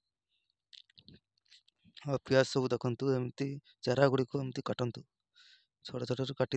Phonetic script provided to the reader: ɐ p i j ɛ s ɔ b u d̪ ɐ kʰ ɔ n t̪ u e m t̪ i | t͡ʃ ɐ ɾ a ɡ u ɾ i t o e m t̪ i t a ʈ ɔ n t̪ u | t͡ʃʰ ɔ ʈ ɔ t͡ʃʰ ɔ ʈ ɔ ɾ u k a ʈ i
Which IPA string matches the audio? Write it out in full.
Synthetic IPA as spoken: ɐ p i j a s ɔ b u d̪ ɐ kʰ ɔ n t̪ u e m t̪ i | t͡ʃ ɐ ɾ a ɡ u ɽ i k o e m t̪ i k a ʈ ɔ n t̪ u | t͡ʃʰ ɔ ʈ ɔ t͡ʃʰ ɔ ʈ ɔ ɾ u k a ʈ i

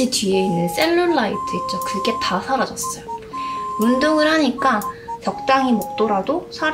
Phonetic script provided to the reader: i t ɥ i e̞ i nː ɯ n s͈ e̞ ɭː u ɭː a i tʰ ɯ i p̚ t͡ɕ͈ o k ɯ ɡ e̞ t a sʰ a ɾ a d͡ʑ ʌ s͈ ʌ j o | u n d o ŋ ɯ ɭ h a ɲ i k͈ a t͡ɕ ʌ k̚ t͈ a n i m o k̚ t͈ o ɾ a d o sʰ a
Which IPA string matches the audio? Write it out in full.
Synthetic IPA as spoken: i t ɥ i e̞ i nː ɯ n s͈ e̞ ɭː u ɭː a i tʰ ɯ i t̚ t͡ɕ͈ o k ɯ ɡ e̞ t a sʰ a ɾ a d͡ʑ ʌ s͈ ʌ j o | u n d o ŋ ɯ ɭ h a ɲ i k͈ a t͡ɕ ʌ k̚ t͈ a ŋ i m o k̚ t͈ o ɾ a d o sʰ a

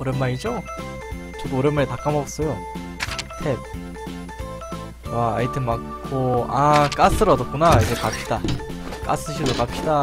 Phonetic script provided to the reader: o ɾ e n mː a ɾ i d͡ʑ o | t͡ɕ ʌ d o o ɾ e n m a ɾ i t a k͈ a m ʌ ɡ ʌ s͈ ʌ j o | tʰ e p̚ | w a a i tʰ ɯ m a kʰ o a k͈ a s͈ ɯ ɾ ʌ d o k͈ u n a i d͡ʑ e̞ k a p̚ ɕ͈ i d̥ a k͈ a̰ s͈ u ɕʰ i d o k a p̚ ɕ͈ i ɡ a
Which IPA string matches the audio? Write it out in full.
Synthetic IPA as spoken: o ɾ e n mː a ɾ i d͡ʑ o | t͡ɕ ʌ d o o ɾ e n m a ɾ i t a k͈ a m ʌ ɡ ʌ s͈ ʌ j o | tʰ e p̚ | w a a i tʰ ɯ m a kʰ o a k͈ a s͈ ɯ ɾ ʌ d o k͈ u n a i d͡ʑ e̞ k a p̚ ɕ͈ i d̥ a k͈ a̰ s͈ ɯ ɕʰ i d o k a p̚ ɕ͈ i d a

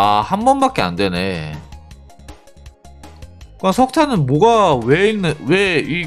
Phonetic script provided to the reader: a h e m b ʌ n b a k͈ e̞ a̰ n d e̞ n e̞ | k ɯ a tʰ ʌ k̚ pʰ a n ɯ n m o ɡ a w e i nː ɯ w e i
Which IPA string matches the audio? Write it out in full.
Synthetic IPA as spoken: a h a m b ʌ n b a k͈ e̞ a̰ n d e̞ n e̞ | k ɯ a sʰ ʌ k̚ tʰ a n ɯ n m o ɡ a w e i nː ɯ w e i

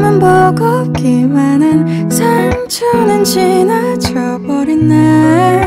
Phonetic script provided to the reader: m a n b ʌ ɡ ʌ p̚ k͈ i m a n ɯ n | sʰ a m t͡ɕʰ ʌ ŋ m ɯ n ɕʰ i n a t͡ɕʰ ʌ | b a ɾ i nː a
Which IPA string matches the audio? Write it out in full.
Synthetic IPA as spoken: m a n b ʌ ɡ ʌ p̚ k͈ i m a n ɯ n | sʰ a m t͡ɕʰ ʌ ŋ n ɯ n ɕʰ i n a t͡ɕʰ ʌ | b ʌ ɾ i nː a

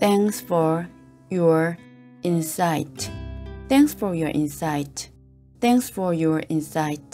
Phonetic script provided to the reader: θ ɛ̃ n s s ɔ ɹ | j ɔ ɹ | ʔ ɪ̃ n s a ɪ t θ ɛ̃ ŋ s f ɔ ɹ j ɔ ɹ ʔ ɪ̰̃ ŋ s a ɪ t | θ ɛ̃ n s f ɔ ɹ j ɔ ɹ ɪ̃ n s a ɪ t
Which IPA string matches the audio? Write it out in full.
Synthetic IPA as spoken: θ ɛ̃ ŋ s f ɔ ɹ | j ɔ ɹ | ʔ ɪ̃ n s a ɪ t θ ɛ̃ ŋ s f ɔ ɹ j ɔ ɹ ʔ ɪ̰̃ n s a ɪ t | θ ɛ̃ ŋ s f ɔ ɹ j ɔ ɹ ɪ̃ n s a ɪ t

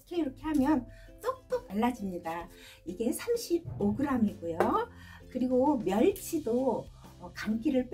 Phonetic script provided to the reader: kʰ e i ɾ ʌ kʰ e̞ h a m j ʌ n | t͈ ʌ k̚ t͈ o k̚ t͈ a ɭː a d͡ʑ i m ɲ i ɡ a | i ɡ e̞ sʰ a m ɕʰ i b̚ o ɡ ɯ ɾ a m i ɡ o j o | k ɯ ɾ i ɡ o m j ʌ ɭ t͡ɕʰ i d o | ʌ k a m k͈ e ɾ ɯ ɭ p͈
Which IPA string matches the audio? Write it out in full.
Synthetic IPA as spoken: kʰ e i ɾ ʌ kʰ e̞ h a m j ʌ n | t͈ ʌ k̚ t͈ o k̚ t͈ a ɭː a d͡ʑ i m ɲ i d a | i ɡ e̞ sʰ a m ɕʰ i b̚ o ɡ ɯ ɾ a m i ɡ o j o | k ɯ ɾ i ɡ o m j ʌ ɭ t͡ɕʰ i d o | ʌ k a m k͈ i ɾ ɯ ɭ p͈

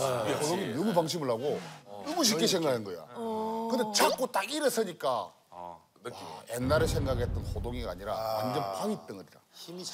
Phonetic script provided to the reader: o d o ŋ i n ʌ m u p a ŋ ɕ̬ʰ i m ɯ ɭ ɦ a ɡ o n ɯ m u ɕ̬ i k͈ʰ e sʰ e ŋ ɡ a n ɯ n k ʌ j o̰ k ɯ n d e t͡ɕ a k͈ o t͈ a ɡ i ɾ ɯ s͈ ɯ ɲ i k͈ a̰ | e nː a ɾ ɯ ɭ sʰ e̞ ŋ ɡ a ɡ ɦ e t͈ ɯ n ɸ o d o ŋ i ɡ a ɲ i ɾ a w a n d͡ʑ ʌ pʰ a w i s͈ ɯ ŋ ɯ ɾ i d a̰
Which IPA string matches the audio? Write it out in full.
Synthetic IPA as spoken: o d o ŋ i n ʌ m u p a ŋ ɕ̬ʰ i m ɯ ɭ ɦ a ɡ o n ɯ m u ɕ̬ i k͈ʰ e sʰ e ŋ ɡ a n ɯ n ɡ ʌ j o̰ k ɯ n d e t͡ɕ a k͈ o t͈ a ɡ i ɾ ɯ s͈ ɯ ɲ i k͈ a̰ | e nː a ɾ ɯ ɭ sʰ e̞ ŋ ɡ a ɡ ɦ e t͈ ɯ n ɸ o d o ŋ i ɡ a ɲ i ɾ a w a n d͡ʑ ʌ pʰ a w i t͈ ɯ ŋ ɯ ɾ i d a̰

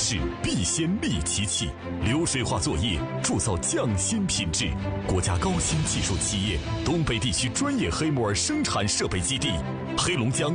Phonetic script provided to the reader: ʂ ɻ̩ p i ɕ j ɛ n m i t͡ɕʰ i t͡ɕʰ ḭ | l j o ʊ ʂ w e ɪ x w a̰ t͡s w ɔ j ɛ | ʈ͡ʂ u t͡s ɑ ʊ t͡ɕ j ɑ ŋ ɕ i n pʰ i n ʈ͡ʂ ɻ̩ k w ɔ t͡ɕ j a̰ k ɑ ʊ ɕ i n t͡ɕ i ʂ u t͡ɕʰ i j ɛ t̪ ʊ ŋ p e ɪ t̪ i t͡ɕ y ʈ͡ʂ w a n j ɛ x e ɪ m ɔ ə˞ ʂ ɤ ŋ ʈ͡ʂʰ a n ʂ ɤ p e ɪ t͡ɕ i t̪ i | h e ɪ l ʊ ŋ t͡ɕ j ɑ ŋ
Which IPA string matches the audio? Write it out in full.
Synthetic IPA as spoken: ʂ ɻ̩ p i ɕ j ɛ n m i t͡ɕʰ i t͡ɕʰ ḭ | l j o ʊ ʂ w e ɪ x w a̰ t͡s w ɔ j ɛ | ʈ͡ʂ u t͡s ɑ ʊ t͡ɕ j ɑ ŋ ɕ i n pʰ i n ʈ͡ʂ ɻ̩ k w ɔ t͡ɕ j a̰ k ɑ ʊ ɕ i n t͡ɕ i ʂ u t͡ɕʰ i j ɛ t̪ ʊ ŋ p e ɪ t̪ i t͡ɕʰ y ʈ͡ʂ w a n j ɛ x e ɪ m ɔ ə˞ ʂ ɤ ŋ ʈ͡ʂʰ a n ʂ ɤ p e ɪ t͡ɕ i t̪ i | x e ɪ l ʊ ŋ t͡ɕ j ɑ ŋ

